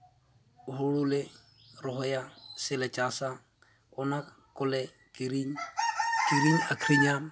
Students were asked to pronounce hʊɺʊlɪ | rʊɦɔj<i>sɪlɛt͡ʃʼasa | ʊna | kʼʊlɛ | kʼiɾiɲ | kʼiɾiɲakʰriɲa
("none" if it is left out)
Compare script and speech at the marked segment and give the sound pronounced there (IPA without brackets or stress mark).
a